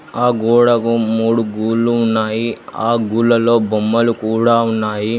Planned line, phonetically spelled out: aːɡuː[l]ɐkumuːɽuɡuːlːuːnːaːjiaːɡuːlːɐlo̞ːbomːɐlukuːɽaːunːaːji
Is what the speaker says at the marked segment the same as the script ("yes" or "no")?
no